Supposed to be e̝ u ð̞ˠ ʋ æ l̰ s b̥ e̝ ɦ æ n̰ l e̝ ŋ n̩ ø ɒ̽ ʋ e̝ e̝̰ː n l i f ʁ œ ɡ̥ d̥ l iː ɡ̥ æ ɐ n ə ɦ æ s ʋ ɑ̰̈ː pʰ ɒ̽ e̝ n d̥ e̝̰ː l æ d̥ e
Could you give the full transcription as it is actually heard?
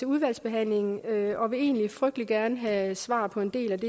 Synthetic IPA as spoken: e̝ u ð̞ˠ ʋ æ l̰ s b̥ e̝ ɦ æ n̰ l e̝ ŋ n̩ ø ɒ̽ ʋ e̝ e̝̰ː n l i f ʁ œ ɡ̥ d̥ l i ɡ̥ æ ɐ n ə ɦ æ s ʋ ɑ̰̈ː pʰ ɒ̽ e̝ n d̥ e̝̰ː l æ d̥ e

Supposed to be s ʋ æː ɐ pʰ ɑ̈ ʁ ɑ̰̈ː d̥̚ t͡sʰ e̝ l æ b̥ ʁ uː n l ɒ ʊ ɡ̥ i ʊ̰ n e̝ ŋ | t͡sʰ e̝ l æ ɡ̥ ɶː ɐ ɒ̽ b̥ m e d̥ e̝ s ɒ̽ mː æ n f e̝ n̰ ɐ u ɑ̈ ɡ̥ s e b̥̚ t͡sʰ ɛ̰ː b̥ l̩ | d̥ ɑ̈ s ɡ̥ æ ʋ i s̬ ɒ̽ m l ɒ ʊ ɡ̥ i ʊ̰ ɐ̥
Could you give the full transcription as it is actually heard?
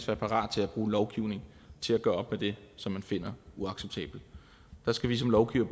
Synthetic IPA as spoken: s ʋ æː ɐ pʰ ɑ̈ ʁ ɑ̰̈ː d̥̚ t͡sʰ e̝ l æ b̥ ʁ uː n l ɒ ʊ ɡ̥ i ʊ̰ n e̝ ŋ | t͡sʰ e̝ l æ ɡ̥ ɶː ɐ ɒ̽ b̥ m e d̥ e̝ s ɒ̽ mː æ n f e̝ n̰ ɐ u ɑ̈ ɡ̥ s e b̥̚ t͡sʰ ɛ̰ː b̥ l̩ | d̥ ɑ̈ s ɡ̥ æ ʋ i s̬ ɒ̽ m l ɒ ʊ ɡ̥ i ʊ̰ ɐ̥

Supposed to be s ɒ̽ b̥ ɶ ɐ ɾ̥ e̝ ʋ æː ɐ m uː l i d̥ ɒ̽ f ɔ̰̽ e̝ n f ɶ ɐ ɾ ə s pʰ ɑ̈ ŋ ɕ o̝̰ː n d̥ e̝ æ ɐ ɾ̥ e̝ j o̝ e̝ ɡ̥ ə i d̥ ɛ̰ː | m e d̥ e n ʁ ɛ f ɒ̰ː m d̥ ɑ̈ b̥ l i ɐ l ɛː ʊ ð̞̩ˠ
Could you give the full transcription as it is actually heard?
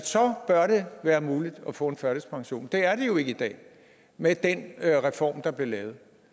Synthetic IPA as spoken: s ɒ̽ b̥ ɶ ɐ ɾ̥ e̝ ʋ æː ɐ m uː l i d̥ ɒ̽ f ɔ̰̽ e̝ n f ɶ ɐ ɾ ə s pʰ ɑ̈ ŋ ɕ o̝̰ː n d̥ e̝ æ ɐ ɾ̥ e̝ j o̝ e̝ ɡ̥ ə i d̥ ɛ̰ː | m e d̥ e n ʁ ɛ f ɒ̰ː m d̥ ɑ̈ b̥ l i ɐ l ɛː ʊ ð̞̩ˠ

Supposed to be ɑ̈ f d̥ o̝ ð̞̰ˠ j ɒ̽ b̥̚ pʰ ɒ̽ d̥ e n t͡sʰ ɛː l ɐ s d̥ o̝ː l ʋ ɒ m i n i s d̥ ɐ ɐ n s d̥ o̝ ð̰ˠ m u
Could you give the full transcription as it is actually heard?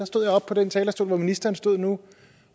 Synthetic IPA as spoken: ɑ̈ s d̥ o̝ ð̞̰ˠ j ɒ̽ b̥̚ pʰ ɒ̽ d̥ e n t͡sʰ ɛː l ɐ s d̥ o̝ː l ʋ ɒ m i n i s d̥ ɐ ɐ n s d̥ o̝ ð̰ˠ n u

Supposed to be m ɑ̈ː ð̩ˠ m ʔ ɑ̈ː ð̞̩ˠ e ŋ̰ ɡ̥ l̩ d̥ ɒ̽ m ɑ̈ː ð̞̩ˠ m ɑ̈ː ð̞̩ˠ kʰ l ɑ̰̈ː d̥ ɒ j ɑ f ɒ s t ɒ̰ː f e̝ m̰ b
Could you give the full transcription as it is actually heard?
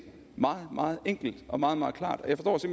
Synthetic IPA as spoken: m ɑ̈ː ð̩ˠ m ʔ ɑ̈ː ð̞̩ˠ e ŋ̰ ɡ̥ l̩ d̥ ɒ̽ m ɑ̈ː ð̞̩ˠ m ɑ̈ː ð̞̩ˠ kʰ l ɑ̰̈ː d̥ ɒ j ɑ f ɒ s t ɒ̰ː s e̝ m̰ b

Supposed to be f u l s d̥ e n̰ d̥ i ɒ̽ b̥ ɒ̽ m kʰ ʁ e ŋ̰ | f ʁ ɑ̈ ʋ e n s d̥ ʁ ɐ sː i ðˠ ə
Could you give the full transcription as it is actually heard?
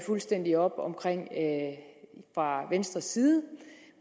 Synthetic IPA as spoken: f u l s d̥ e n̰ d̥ i ɒ̽ b̥ ɒ̽ m kʰ ʁ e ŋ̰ | f ʁ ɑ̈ ʋ e n s d̥ ʁ ɐ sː iː ðˠ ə

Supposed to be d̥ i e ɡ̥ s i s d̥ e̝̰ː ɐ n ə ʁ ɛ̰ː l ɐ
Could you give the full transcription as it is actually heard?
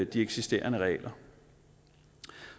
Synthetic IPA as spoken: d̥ i e ɡ̥ s i s d̥ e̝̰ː ɐ n ə ʁ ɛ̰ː l ɐ

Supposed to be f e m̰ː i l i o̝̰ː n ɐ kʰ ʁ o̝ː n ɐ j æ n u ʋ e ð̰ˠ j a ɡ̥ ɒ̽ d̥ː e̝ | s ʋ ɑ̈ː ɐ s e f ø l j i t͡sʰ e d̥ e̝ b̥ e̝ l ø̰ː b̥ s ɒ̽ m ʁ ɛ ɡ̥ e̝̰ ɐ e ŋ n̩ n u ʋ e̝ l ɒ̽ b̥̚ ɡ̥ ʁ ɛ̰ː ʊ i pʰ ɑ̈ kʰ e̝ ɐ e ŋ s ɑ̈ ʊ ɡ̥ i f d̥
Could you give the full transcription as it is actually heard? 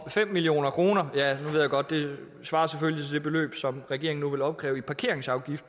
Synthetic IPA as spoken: f e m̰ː i l i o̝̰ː n ɐ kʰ ʁ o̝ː n ɐ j æ n u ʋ e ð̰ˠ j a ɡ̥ ɒ̽ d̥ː e̝ | s ʋ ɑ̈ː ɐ s e f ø l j i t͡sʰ e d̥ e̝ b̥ e̝ l ø̰ː b̥ s ɒ̽ m ʁ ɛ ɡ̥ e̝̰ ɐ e ŋ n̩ n u ʋ e̝ l ɒ̽ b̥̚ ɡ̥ ʁ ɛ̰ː ʊ i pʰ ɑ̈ kʰ e̝ ɐ e ŋ s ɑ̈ ʊ ɡ̥ i f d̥

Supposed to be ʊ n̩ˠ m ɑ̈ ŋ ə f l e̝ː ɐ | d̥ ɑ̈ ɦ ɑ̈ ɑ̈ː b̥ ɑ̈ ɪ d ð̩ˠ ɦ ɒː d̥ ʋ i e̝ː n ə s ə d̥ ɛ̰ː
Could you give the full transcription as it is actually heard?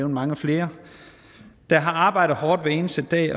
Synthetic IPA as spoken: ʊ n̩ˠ m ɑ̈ ŋ ə f l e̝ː ɐ | d̥ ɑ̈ ɦ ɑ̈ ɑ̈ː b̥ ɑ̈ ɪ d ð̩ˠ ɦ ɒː d̥ ʋ e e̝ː n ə s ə d̥ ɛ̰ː

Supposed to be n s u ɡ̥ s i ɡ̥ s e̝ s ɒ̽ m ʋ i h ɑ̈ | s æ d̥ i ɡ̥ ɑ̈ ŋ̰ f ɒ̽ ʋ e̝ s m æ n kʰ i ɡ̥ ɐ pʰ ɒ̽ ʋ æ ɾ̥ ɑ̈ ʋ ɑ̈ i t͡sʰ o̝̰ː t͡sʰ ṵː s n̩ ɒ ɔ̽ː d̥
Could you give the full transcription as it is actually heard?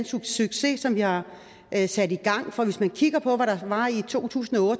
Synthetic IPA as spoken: n s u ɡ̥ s y ɡ̥ s e̝ s ɒ̽ m ʋ i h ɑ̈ | s æ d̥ i ɡ̥ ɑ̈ ŋ̰ f ɒ̽ ʋ e̝ s m æ n kʰ i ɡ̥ ɐ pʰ ɒ̽ ʋ æ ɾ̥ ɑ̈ ʋ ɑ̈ i t͡sʰ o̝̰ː t͡sʰ ṵː s n̩ ɒ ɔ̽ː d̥

